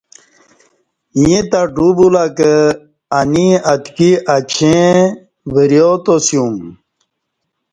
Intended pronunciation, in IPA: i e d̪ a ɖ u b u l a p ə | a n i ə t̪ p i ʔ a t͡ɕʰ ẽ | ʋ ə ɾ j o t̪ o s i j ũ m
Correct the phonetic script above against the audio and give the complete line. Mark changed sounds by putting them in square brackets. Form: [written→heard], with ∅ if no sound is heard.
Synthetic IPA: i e [d̪→t̪] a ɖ u b u l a [p→k] ə | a n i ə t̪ [p→k] i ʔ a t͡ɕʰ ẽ | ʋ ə ɾ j o t̪ o s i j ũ m